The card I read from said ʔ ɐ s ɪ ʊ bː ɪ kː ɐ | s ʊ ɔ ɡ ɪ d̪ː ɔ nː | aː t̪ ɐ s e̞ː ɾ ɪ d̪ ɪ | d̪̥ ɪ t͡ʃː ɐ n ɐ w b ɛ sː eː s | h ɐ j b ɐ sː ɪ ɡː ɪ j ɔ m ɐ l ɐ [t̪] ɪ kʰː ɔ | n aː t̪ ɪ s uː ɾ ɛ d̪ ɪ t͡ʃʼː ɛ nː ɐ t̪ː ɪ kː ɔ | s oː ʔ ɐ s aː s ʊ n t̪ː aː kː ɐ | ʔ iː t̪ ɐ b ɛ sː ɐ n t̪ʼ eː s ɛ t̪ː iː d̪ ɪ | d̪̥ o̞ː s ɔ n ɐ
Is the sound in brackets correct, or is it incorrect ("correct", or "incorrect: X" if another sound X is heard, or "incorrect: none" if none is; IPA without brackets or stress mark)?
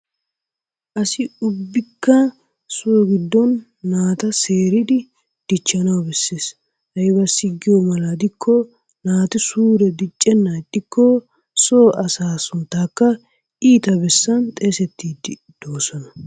incorrect: d̪